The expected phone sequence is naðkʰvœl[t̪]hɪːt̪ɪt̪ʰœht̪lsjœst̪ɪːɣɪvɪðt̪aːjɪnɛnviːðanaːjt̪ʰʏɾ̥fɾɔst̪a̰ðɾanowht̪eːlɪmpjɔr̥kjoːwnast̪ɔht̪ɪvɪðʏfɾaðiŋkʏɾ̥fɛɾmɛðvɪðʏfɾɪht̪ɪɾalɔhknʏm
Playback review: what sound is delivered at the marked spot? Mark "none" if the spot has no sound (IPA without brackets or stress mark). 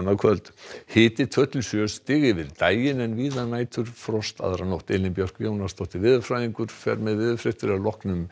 t̪